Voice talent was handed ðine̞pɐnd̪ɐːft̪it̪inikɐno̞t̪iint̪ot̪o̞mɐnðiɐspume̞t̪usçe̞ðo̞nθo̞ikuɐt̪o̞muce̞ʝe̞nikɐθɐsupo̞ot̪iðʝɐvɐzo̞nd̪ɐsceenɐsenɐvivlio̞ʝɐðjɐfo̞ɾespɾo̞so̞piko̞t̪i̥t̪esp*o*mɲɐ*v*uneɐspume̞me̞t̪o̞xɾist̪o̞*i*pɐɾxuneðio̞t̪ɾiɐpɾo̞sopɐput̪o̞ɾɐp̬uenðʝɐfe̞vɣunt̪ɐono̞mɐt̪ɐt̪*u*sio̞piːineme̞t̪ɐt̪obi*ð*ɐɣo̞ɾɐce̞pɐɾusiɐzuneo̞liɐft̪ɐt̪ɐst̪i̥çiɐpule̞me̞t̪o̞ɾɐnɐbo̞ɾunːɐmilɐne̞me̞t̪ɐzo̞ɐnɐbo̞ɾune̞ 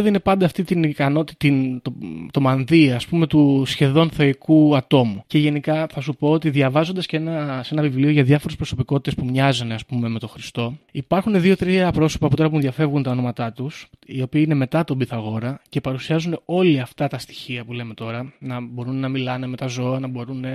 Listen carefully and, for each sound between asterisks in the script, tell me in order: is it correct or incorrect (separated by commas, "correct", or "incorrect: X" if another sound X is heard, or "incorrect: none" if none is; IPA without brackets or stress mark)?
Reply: incorrect: u, incorrect: z, correct, correct, incorrect: θ